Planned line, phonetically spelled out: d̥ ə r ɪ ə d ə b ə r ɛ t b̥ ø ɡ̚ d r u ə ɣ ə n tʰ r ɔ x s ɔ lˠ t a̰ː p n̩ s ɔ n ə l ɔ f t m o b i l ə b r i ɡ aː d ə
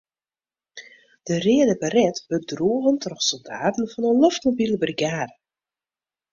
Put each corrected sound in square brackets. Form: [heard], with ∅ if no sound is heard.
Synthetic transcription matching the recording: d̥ ə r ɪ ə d ə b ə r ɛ t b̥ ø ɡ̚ d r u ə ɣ ə n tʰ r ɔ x s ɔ lˠ [d] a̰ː [t] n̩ [f] ɔ n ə l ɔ f t m o b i l ə b r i ɡ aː d ə